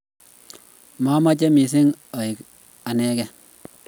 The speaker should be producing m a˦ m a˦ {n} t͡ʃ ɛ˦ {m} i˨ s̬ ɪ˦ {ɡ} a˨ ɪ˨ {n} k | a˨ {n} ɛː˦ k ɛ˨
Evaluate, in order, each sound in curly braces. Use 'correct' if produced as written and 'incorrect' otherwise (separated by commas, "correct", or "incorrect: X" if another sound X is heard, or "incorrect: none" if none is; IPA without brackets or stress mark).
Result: incorrect: none, correct, incorrect: ŋ, incorrect: none, correct